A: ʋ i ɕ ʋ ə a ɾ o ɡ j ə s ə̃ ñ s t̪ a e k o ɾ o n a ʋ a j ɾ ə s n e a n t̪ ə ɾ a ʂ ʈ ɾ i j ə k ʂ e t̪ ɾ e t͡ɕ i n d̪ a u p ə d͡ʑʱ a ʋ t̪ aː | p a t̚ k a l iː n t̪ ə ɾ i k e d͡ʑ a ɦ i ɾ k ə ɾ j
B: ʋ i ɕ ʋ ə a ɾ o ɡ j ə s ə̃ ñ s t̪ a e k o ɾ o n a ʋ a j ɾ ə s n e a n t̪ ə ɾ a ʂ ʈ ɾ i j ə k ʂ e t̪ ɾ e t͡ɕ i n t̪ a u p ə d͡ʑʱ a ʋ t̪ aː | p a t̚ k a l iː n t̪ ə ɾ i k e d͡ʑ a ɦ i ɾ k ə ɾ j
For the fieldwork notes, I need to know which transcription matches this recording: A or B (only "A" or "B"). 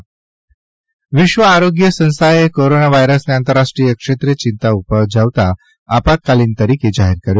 B